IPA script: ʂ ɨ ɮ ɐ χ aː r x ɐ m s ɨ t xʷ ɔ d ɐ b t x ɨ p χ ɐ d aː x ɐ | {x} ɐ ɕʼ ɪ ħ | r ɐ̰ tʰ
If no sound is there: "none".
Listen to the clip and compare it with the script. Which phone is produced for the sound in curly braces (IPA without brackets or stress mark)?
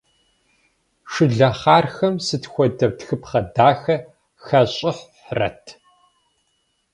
x